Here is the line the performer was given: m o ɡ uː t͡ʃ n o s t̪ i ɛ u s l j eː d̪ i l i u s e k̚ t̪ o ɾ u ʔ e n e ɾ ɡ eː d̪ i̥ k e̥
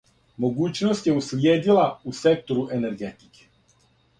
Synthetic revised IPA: m o ɡ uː t͡ʃ n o s t̪ j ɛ u s l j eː d̪ i l a u s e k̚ t̪ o ɾ u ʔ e n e ɾ ɡ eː t̪ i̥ k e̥